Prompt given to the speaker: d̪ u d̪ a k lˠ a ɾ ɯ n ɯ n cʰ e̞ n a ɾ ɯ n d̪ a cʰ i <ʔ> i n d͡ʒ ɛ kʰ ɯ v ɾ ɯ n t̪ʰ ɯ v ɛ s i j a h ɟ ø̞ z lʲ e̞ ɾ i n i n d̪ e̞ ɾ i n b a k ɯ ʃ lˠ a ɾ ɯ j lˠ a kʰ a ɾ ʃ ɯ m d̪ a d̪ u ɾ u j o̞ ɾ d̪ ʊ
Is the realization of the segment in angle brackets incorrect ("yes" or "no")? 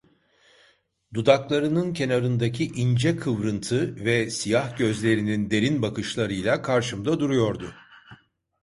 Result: no